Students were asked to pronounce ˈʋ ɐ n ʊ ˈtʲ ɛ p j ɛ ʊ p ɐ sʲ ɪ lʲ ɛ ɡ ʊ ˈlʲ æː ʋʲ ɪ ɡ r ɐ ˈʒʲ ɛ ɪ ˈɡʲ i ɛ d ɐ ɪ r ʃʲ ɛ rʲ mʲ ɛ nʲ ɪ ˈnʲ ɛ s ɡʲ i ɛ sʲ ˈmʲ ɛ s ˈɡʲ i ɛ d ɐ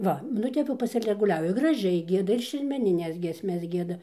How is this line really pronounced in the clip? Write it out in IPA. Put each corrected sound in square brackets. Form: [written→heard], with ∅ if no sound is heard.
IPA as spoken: ˈʋ ɐ n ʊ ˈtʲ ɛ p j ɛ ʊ p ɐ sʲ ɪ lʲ ɛ ɡ ʊ ˈlʲ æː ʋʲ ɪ ɡ r ɐ ˈʒʲ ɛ ɪ ˈɡʲ i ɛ d ɐ ɪ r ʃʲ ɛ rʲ mʲ ɛ nʲ ɪ ˈnʲ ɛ s ɡʲ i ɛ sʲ ˈmʲ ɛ s ˈɡʲ i ɛ d ɐ